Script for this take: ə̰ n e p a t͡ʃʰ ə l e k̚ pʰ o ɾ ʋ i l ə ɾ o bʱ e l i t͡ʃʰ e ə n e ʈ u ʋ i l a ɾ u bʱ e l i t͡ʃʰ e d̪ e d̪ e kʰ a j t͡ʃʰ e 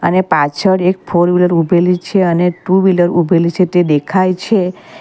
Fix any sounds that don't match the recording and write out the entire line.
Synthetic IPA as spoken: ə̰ n e p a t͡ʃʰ ə ɽ e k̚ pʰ o ɾ ʋ i l ə ɾ u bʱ e l i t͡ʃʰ e ə n e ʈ u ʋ i l ə ɾ u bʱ e l i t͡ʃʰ e t̪ e d̪ e kʰ a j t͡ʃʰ e